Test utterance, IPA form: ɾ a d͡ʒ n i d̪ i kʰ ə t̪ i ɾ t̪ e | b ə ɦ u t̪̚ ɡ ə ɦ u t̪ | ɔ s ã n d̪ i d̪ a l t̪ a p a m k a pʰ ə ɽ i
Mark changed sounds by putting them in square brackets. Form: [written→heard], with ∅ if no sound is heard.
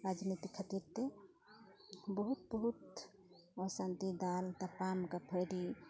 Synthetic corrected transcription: ɾ a d͡ʒ n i [d̪→t̪] i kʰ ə t̪ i ɾ t̪ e | b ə ɦ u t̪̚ [ɡ→b] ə ɦ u t̪ | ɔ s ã n [d̪→t̪] i d̪ a l t̪ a p a m k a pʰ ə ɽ i